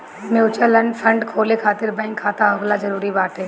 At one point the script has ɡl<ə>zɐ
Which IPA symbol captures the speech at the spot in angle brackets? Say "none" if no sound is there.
a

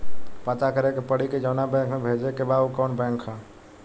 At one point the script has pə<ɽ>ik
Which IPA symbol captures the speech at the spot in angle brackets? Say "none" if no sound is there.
ɽ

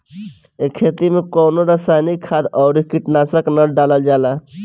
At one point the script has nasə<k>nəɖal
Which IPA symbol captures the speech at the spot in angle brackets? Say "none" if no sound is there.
k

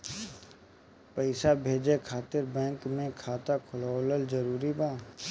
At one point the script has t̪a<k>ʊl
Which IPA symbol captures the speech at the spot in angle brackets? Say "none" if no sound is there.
kʰ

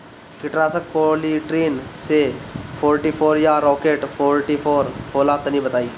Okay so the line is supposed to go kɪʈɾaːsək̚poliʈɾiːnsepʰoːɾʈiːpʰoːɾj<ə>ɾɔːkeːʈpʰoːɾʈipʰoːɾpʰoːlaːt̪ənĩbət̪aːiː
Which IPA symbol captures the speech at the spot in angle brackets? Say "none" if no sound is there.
a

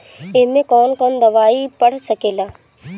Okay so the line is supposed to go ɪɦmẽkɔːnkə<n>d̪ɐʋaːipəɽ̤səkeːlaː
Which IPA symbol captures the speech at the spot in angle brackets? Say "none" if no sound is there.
n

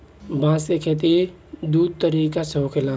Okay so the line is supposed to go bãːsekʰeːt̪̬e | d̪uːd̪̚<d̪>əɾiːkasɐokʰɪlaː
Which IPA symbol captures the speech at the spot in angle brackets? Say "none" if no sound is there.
t̪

